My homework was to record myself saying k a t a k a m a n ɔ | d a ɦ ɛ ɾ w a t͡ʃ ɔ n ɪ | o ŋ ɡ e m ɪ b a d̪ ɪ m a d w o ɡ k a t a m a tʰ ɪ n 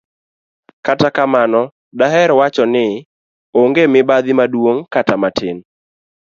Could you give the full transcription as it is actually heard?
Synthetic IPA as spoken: k a t a k a m a n ɔ | d a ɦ ɛ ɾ w a t͡ʃ ɔ n ɪ | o ŋ ɡ e m ɪ b a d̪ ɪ m a d w o ŋ k a t a m a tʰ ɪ n